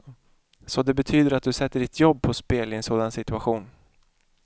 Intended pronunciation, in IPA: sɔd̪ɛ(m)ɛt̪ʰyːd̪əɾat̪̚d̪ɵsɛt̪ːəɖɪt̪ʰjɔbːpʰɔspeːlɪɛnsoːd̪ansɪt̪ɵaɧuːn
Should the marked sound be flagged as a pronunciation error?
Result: yes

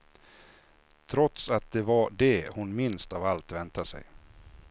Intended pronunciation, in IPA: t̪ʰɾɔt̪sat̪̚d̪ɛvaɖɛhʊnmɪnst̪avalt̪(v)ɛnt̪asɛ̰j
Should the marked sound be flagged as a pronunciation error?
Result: no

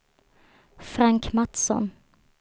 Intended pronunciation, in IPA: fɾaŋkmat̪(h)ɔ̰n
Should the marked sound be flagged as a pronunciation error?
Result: yes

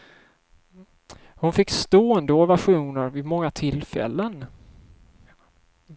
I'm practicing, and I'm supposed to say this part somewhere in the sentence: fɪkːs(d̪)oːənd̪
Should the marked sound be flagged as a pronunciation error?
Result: yes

